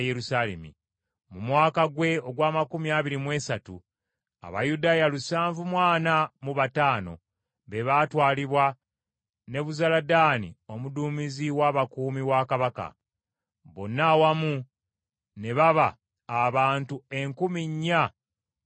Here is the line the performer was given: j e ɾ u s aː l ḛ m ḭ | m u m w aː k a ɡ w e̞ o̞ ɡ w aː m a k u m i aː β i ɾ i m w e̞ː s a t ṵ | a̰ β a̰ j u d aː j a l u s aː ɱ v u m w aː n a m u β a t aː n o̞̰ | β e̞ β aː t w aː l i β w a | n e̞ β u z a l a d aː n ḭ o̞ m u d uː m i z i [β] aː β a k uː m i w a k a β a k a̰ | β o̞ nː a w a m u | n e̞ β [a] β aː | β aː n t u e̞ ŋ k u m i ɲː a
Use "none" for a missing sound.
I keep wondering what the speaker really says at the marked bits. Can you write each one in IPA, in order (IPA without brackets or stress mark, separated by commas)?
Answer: w, a